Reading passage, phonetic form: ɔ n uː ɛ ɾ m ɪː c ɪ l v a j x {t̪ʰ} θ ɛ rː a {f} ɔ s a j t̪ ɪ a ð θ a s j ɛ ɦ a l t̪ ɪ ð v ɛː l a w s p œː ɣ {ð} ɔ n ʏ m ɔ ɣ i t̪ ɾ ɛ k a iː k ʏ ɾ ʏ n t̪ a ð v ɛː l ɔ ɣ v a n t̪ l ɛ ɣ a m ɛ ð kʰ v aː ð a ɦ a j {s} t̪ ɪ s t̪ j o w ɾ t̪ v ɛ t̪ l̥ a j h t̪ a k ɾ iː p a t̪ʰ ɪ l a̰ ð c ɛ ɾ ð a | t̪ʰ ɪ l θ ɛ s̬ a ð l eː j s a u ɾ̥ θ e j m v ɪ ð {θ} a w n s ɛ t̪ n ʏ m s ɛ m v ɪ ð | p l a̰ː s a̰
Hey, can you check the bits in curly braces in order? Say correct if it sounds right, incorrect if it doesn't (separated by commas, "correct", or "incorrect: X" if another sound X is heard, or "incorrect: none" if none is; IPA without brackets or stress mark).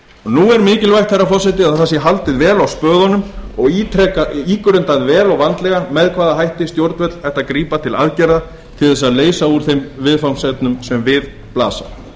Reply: incorrect: t̪, correct, correct, incorrect: h, incorrect: f